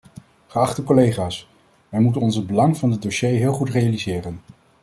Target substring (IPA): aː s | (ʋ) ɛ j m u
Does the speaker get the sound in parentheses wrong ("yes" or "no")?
no